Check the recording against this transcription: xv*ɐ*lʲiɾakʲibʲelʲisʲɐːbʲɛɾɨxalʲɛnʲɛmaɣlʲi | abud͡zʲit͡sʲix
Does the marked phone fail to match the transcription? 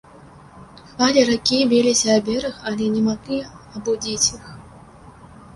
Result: yes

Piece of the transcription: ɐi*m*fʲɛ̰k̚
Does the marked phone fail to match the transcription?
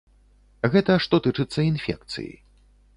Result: yes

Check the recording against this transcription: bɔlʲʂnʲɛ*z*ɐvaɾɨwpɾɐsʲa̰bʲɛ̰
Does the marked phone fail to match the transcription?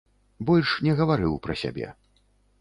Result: yes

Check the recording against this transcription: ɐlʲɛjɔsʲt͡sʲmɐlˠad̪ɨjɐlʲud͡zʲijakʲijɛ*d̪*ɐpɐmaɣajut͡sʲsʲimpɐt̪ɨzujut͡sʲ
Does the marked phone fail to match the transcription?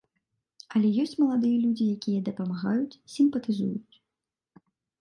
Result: no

